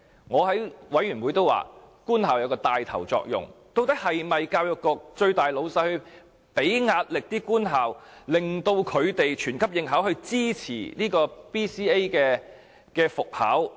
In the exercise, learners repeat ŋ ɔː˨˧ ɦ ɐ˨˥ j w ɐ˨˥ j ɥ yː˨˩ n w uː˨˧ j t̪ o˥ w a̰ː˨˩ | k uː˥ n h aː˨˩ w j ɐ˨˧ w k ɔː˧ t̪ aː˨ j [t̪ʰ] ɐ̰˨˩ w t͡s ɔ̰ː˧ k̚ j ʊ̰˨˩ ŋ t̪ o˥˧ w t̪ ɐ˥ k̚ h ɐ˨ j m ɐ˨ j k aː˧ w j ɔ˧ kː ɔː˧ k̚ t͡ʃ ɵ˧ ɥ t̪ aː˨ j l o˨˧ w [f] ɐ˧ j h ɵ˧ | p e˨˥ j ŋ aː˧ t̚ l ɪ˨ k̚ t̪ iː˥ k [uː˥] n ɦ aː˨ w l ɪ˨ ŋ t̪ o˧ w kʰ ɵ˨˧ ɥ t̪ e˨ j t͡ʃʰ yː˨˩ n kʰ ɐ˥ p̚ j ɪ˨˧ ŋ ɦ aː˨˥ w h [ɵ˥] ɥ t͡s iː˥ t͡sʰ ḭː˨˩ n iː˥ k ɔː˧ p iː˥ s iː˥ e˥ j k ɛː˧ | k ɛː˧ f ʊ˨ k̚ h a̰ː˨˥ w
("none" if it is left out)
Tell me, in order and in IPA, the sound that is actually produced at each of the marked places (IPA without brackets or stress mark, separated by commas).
t̪ʰ, s, uː˥, ɵ˧